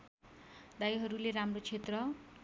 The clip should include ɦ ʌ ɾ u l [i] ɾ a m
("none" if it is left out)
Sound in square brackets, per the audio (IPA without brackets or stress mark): e